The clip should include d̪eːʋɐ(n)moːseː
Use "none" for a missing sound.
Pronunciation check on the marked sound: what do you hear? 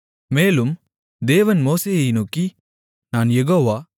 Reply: n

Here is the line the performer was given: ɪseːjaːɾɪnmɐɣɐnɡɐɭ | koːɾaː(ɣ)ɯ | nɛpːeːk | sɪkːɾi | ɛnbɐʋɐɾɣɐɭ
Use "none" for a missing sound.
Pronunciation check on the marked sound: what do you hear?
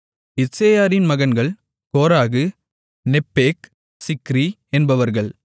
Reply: ɣ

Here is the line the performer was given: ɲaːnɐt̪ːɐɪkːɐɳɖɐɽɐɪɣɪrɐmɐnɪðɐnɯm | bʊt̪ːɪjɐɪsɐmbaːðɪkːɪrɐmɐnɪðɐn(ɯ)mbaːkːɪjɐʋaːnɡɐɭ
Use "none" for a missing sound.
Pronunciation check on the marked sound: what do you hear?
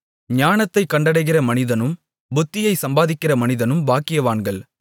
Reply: ɯ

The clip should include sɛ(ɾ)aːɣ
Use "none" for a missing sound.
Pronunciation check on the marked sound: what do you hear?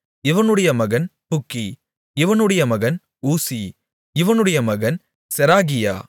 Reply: ɾ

